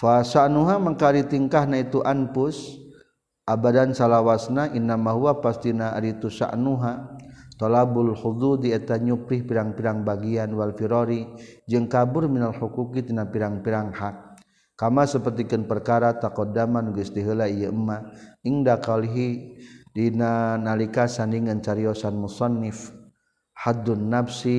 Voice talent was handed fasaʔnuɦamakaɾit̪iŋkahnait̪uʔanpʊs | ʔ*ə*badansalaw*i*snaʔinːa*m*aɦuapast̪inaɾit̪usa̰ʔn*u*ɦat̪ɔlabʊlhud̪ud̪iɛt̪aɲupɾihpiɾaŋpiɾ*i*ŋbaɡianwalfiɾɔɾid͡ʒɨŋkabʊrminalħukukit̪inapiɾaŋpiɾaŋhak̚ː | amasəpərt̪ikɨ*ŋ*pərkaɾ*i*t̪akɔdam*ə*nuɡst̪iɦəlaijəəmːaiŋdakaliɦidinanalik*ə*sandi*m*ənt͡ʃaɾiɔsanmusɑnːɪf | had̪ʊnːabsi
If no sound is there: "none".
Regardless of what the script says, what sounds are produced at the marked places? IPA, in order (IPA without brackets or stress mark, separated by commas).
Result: a, a, m, u, a, n, a, a, a, ŋ